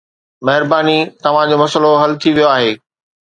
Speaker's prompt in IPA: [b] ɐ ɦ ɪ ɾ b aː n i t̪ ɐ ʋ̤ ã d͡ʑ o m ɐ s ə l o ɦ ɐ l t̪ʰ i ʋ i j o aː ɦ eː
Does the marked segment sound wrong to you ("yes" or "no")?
yes